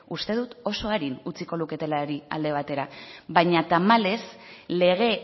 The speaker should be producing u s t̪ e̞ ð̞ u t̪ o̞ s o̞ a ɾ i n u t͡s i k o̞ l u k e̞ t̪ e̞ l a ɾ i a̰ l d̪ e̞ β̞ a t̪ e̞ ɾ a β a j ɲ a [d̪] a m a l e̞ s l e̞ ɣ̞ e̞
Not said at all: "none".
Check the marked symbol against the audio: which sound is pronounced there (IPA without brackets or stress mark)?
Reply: t̪